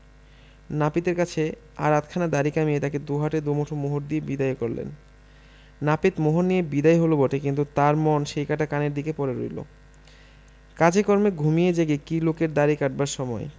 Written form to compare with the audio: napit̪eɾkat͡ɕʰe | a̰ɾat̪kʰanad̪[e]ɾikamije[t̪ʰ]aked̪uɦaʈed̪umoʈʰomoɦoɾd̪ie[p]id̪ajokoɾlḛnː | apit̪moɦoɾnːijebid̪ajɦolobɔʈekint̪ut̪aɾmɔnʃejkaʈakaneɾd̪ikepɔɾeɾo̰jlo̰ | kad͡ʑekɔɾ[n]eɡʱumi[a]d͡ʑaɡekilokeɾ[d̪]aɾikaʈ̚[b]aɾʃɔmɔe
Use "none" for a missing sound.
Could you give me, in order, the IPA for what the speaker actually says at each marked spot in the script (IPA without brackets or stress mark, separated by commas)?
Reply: a, t̪, b, m, e, d̪, b